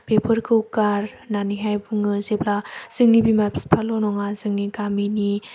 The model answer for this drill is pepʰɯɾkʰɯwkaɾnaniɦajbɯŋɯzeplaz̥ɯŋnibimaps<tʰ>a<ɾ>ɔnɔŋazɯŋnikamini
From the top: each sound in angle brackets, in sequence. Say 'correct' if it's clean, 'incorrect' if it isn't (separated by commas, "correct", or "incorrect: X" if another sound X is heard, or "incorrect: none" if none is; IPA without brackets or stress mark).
incorrect: pʰ, incorrect: l